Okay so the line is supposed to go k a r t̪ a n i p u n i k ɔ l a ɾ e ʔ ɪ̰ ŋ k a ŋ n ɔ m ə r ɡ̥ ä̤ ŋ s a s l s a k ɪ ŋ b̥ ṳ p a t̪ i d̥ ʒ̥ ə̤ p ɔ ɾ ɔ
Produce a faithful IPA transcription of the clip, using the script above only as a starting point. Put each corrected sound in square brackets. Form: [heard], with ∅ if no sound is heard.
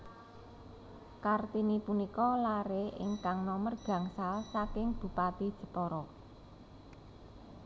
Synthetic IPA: k a r t̪ [i] n i p u n i k ɔ l a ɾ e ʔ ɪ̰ ŋ k a ŋ n ɔ m ə r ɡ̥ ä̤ ŋ s a [∅] l s a k ɪ ŋ b̥ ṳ p a t̪ i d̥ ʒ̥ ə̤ p ɔ ɾ ɔ